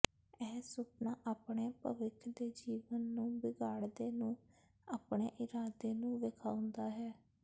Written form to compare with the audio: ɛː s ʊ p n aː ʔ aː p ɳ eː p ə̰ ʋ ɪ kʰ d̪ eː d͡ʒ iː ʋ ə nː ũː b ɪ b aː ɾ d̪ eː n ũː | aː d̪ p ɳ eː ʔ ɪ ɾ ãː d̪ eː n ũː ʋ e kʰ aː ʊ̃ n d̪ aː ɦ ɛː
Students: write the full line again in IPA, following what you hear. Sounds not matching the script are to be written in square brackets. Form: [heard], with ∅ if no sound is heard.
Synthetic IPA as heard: ɛː s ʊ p n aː ʔ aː p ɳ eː p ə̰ ʋ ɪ kʰ d̪ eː d͡ʒ iː ʋ ə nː ũː b ɪ [ɡ] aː [ɽ] d̪ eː n ũː | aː [∅] p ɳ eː ʔ ɪ ɾ [aː] d̪ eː n ũː ʋ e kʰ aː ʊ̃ n d̪ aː ɦ ɛː